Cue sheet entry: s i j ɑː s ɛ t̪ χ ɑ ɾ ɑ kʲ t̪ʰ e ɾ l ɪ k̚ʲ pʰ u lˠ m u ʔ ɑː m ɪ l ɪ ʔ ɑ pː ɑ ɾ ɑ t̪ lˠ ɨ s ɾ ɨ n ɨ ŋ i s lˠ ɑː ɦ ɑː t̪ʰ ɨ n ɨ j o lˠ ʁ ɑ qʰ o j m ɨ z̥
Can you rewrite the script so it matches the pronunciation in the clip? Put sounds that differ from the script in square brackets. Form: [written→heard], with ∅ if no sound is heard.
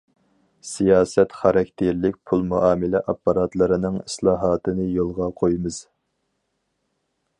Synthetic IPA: s i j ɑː s ɛ t̪ χ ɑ ɾ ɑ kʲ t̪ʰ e ɾ l ɪ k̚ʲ pʰ u lˠ m u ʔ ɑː m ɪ l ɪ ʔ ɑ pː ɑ ɾ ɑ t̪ lˠ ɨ [s→∅] ɾ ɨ n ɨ ŋ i s lˠ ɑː ɦ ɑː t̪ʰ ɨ n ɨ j o lˠ ʁ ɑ qʰ o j m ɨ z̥